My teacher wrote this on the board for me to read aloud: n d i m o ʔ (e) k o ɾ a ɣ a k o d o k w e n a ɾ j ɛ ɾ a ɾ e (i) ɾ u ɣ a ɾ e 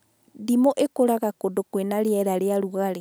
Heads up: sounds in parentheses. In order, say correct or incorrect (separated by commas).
correct, incorrect